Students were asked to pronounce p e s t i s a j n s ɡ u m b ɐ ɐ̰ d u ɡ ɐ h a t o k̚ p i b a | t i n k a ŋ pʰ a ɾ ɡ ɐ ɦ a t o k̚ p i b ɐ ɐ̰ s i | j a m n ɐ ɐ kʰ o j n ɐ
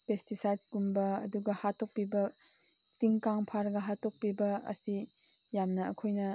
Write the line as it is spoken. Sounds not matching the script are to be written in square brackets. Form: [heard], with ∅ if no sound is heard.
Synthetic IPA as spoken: p e s t i s a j [d] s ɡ u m b ɐ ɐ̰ d u ɡ ɐ h a t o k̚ p i b [ɐ] | t i [ŋ] k a ŋ pʰ a ɾ ɡ ɐ ɦ a t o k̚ p i b ɐ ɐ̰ s i | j a m n ɐ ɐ kʰ o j n ɐ